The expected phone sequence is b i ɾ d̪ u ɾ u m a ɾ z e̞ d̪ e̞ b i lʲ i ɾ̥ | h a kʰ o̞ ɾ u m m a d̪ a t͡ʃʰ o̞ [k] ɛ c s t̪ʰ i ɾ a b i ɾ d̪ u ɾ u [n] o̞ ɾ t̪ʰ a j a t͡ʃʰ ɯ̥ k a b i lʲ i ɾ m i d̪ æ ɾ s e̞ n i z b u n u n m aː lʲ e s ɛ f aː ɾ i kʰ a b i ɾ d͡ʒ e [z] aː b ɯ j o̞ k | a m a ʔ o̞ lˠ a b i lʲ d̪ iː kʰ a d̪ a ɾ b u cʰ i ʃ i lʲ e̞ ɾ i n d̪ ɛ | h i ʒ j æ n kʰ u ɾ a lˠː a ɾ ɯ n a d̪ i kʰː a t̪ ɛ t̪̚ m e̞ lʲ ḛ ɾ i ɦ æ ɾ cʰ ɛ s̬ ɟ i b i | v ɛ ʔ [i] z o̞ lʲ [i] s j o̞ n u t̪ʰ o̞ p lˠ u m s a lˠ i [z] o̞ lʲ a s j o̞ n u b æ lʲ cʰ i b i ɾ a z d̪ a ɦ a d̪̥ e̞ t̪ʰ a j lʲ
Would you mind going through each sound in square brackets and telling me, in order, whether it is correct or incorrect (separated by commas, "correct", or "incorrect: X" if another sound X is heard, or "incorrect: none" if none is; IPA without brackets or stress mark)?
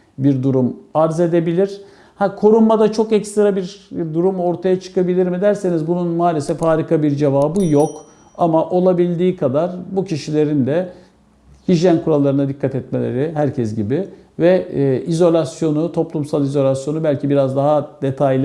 correct, incorrect: m, incorrect: v, correct, incorrect: a, correct